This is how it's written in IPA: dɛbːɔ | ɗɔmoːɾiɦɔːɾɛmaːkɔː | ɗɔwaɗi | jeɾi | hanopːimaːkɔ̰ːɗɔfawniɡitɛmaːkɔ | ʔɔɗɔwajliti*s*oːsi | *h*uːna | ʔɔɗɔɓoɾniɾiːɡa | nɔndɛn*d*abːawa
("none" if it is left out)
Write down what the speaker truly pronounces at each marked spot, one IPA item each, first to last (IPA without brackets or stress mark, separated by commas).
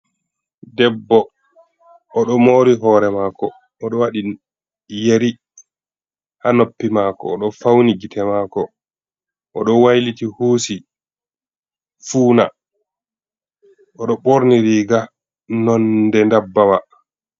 h, f, d